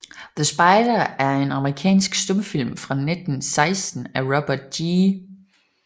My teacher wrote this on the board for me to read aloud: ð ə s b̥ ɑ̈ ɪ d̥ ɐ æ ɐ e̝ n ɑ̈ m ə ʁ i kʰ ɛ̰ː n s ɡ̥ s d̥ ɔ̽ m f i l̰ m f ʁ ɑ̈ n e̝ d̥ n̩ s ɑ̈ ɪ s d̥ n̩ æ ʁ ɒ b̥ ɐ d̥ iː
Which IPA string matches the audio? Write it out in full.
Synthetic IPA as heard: ð ə s b̥ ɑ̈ ɪ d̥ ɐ æ ɐ e̝ n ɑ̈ m ə ʁ i kʰ ɛ̰ː n s ɡ̥ s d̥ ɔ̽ m f i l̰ m f ʁ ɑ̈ n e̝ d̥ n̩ s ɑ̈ ɪ s d̥ n̩ æ ʁ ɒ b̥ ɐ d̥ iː